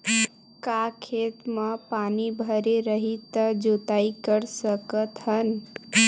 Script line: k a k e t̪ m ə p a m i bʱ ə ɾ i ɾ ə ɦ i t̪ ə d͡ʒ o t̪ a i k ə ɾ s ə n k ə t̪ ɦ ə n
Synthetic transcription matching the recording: k a kʰ e t̪ m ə p a n i bʱ ə ɾ e ɾ ə ɦ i t̪ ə d͡ʒ o t̪ a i k ə ɾ s ə k ə t̪ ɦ ə n